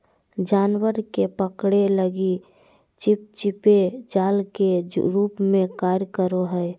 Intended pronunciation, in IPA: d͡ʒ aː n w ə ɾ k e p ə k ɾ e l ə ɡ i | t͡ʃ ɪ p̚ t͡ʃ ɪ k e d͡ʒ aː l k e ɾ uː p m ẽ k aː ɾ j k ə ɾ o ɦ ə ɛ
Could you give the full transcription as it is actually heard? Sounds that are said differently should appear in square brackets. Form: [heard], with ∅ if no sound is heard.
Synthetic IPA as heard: d͡ʒ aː n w ə ɾ k e p ə k [ɽ] e l ə ɡ i | t͡ʃ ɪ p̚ t͡ʃ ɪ [p] e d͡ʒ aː l k e ɾ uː p m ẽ k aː ɾ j k ə ɾ o ɦ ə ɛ